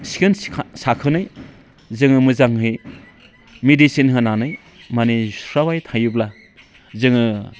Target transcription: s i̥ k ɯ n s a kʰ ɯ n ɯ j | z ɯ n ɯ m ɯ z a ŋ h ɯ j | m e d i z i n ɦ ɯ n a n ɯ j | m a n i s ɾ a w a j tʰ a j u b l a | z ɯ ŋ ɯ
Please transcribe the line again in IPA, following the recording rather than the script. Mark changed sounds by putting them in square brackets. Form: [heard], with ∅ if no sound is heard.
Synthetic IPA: s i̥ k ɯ n s a kʰ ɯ n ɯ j | z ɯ [ŋ] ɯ m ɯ z a ŋ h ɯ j | m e d i [s] i n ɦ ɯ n a n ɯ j | m a n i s ɾ a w a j tʰ a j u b l a | z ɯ ŋ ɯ